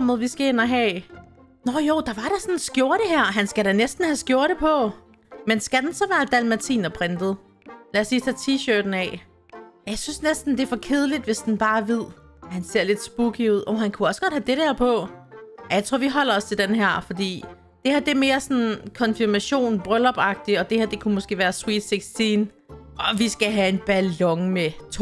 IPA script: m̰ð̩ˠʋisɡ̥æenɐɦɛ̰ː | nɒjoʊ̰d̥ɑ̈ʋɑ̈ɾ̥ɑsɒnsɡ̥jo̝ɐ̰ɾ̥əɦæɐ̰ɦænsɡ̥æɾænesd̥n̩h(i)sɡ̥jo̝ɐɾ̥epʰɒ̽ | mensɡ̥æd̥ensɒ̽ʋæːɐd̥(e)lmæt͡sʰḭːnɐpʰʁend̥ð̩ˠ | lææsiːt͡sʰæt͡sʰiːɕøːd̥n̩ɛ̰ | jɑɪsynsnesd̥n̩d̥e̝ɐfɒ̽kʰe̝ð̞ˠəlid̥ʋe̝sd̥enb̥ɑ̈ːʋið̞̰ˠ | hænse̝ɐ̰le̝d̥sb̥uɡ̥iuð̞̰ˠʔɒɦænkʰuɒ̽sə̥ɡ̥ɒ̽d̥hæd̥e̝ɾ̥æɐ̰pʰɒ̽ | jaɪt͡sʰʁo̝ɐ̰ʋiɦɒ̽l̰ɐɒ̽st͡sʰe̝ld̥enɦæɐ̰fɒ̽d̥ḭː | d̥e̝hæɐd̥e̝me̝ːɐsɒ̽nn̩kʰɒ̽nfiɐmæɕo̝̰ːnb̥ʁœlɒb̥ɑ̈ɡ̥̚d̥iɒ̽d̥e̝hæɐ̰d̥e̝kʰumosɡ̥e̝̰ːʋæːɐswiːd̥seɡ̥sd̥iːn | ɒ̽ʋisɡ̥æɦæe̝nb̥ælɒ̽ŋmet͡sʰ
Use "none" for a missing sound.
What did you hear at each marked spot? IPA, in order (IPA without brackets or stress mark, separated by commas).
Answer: æ, æ